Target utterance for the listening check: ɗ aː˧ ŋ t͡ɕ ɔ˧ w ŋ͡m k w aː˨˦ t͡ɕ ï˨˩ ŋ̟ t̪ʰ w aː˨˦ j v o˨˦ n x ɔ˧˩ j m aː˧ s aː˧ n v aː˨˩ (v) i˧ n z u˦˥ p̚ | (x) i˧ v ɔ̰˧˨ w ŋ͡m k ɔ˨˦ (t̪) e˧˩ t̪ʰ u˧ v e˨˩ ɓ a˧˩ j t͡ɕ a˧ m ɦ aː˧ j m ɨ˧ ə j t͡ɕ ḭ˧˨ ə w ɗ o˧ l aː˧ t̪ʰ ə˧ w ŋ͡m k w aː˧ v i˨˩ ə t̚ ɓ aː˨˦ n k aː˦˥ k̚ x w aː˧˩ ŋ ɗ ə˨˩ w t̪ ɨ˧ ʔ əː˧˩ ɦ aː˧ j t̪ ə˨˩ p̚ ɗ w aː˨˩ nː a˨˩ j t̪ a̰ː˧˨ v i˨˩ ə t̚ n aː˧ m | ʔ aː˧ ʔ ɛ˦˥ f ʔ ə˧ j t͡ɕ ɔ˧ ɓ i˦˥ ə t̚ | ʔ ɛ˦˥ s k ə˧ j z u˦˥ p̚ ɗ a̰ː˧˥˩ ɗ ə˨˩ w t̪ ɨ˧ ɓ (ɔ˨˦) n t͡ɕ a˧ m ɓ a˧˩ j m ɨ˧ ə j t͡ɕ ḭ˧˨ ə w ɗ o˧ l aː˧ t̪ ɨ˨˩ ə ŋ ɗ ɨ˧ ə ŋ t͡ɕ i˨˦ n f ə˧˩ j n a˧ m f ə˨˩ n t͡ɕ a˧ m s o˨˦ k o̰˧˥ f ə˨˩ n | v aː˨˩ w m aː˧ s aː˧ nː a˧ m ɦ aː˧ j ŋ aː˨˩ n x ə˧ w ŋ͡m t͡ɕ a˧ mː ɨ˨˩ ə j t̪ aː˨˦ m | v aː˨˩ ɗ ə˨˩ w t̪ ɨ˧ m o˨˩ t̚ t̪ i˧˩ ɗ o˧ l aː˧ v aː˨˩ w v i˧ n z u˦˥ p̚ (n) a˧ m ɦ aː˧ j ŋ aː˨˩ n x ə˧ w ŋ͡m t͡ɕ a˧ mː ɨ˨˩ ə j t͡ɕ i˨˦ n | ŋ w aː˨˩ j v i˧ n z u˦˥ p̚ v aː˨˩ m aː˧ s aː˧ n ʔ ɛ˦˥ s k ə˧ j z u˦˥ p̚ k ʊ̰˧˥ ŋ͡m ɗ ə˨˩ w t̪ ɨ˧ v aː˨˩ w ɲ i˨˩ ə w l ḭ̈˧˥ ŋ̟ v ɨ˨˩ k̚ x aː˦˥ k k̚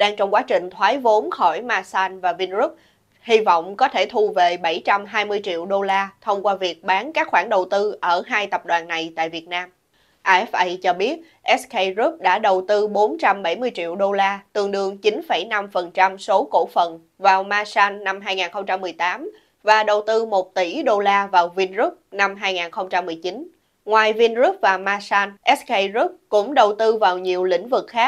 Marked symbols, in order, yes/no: yes, no, no, no, yes

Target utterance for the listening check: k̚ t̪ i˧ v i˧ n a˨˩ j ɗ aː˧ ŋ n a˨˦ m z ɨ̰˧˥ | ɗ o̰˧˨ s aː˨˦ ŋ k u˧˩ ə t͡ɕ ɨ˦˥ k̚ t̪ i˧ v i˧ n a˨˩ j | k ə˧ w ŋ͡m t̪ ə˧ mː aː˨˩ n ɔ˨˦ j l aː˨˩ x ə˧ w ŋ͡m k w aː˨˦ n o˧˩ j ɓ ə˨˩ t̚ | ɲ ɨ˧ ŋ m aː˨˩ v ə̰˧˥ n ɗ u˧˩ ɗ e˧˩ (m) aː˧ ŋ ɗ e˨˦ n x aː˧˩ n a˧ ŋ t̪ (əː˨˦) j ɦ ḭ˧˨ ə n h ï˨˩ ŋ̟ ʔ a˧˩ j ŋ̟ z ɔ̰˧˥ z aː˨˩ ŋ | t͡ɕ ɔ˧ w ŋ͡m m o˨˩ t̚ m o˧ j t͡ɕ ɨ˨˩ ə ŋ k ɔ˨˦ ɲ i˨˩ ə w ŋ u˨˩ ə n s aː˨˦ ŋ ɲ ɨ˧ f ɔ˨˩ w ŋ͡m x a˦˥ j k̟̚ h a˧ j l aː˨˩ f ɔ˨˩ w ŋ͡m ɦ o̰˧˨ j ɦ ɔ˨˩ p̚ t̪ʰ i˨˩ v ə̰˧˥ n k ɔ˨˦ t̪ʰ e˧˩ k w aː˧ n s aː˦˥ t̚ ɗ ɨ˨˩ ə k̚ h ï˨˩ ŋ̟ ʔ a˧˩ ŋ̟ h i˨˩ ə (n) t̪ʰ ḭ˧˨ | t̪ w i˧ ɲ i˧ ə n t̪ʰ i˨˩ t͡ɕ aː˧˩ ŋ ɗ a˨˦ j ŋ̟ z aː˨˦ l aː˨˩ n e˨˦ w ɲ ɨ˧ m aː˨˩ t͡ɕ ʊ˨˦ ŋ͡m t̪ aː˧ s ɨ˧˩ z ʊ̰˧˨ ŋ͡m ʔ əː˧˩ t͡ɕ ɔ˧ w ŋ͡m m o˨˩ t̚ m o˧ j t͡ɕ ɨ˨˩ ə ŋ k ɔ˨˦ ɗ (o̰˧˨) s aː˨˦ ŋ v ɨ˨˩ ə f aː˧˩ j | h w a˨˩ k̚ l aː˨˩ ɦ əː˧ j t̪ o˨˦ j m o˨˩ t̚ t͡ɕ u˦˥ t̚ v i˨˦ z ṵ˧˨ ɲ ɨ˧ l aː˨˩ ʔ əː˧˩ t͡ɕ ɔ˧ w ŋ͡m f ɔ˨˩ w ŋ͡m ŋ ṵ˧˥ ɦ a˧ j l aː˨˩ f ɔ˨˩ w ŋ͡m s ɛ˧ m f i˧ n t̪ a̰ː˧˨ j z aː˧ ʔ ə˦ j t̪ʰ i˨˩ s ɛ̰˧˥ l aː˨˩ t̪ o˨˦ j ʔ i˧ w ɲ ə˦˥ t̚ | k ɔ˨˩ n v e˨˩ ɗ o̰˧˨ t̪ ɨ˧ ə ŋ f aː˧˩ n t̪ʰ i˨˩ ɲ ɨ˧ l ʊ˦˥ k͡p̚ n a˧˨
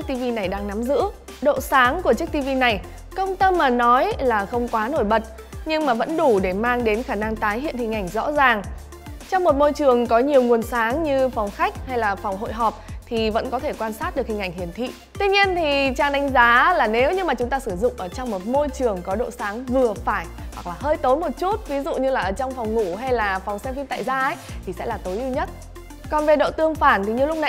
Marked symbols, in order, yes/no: yes, no, yes, yes

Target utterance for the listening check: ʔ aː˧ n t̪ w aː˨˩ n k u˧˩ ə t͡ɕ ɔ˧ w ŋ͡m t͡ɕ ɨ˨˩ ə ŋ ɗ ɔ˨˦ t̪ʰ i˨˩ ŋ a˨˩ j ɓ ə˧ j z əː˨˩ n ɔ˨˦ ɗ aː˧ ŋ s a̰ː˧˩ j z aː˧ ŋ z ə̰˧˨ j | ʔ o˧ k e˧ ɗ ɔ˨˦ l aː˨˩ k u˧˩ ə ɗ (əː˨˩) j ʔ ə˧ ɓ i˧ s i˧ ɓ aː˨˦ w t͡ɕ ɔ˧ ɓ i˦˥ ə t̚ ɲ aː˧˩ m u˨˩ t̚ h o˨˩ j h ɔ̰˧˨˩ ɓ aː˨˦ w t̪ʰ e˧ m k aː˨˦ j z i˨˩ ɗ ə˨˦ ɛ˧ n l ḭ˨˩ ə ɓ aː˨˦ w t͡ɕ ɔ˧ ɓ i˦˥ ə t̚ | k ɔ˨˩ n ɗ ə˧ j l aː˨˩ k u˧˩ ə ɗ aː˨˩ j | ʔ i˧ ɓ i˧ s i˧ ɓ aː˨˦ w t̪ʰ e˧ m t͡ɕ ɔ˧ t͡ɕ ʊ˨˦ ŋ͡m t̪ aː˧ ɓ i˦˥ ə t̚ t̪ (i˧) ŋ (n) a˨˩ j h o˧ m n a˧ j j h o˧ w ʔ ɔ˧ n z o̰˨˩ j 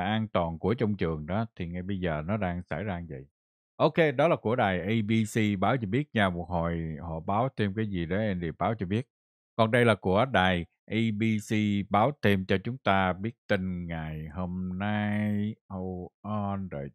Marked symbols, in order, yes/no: no, yes, no

